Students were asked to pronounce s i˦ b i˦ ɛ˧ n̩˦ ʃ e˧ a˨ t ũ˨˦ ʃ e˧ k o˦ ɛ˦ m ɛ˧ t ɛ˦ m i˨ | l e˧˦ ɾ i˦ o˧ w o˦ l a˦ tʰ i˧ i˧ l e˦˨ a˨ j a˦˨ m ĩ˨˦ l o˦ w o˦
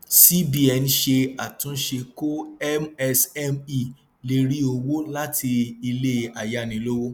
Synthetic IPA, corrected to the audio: s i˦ b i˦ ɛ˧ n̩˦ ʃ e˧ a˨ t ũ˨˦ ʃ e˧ k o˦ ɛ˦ m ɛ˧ s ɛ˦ m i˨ | l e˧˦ ɾ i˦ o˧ w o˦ l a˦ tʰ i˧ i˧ l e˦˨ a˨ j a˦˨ n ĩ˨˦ l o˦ w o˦